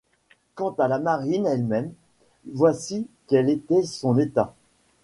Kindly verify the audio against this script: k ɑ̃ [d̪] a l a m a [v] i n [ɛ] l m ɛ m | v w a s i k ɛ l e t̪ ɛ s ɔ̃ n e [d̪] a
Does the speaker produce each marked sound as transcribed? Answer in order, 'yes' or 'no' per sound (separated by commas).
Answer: no, no, yes, no